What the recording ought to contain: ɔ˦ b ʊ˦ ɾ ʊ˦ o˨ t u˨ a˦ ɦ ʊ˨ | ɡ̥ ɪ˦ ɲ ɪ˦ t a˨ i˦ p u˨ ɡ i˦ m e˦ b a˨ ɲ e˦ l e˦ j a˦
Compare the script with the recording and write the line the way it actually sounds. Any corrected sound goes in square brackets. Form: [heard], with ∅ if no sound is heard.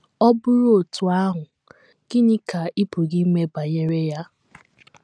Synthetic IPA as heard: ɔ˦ b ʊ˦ ɾ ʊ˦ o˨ t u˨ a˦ ɦ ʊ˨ | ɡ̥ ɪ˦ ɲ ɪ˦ [k] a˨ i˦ p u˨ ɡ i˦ m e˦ b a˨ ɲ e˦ [ɾ] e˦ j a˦